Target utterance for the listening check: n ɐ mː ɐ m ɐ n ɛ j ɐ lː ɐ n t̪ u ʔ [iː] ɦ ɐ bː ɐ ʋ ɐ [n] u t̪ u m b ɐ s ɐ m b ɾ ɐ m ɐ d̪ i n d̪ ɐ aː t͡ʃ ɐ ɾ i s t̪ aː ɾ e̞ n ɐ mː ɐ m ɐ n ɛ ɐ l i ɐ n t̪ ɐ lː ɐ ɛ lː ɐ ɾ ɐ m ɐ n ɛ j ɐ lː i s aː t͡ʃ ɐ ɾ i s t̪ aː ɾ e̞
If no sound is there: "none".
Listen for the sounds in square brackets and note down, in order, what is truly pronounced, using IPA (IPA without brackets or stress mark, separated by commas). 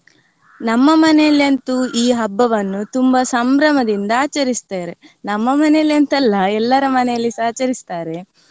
iː, nː